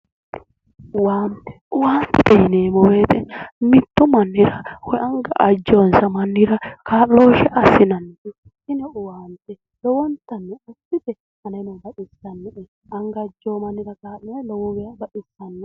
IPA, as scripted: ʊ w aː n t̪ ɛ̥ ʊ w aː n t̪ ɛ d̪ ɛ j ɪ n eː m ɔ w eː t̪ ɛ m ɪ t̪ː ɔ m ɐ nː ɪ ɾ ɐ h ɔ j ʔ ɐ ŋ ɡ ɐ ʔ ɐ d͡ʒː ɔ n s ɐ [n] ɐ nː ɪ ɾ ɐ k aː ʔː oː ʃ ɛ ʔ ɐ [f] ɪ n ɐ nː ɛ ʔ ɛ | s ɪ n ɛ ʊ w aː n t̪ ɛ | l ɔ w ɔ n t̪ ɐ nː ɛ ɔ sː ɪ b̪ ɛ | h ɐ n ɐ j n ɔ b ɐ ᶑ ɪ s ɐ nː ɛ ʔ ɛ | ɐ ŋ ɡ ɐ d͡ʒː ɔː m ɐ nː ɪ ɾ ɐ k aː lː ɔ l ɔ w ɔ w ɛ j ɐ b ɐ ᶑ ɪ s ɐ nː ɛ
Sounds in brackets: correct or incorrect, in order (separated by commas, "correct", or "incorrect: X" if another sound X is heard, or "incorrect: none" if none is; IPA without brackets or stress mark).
incorrect: m, incorrect: s